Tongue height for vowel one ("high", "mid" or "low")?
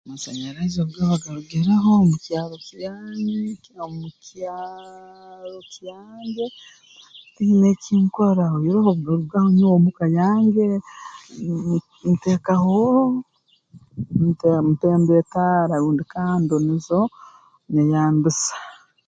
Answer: low